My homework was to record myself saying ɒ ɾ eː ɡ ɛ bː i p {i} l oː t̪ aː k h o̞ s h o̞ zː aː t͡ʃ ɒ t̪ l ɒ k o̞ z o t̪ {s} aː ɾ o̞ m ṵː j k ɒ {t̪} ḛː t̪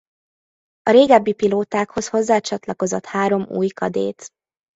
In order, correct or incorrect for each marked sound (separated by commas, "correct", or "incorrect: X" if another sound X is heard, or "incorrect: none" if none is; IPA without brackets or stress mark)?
correct, incorrect: h, incorrect: d̪